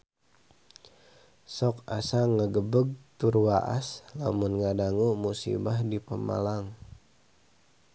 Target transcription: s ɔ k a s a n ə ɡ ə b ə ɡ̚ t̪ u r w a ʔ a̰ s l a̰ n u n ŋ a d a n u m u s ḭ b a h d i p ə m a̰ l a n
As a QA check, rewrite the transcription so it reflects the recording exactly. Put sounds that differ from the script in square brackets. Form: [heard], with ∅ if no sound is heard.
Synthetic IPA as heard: s ɔ k a s a [ŋ] ə ɡ ə b ə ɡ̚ t̪ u r w a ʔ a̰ s l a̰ [m] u n ŋ a d a [ŋ] u m u s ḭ b a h d i p ə m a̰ l a [ŋ]